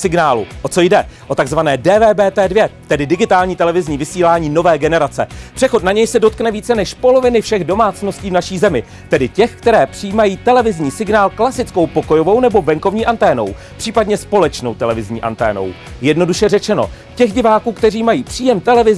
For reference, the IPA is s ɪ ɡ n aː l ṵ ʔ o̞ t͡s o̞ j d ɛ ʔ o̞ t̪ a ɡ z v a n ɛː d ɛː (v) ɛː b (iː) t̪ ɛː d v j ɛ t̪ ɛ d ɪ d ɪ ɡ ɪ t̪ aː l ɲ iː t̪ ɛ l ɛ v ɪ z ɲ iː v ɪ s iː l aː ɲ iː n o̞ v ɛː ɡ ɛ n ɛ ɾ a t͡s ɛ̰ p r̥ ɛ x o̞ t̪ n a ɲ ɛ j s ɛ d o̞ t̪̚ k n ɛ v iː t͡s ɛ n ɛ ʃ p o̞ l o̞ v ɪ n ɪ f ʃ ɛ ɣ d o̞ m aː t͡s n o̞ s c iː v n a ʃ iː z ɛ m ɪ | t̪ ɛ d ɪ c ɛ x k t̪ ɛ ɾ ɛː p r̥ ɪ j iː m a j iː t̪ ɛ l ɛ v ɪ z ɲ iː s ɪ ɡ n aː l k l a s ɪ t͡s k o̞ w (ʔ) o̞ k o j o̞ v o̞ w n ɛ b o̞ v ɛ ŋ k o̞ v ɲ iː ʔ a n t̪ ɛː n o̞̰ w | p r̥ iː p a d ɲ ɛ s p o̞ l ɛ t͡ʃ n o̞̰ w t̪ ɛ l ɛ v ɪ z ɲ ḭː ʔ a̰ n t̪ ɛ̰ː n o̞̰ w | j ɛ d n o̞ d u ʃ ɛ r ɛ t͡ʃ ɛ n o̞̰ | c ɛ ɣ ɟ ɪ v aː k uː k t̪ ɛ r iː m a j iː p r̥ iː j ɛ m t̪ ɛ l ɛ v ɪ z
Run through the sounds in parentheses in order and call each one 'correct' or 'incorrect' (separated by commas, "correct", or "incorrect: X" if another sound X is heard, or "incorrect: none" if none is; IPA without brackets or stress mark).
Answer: correct, incorrect: ɛː, incorrect: p